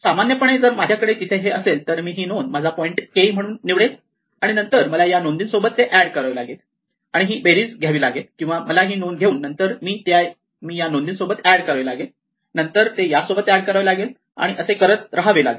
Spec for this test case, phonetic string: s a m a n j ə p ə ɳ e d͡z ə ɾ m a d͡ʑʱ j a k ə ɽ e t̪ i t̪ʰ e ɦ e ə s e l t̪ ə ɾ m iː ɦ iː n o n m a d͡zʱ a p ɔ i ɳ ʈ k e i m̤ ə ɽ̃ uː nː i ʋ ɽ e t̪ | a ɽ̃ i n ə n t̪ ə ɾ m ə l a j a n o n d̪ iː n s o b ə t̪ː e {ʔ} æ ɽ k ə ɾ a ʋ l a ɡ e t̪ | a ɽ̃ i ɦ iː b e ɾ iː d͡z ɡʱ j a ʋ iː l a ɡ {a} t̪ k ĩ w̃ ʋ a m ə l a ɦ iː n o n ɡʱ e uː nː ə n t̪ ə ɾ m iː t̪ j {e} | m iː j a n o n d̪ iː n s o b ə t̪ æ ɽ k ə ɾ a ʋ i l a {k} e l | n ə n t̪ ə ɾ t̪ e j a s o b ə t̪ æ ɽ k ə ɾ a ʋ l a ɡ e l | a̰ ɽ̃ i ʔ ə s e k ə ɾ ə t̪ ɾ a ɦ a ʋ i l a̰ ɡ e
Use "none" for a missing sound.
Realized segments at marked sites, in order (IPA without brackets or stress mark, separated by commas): ʔ, e, a, ɡ